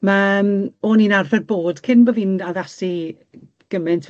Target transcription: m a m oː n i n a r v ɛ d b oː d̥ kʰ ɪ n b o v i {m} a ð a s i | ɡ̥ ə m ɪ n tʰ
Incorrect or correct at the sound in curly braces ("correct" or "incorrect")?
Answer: incorrect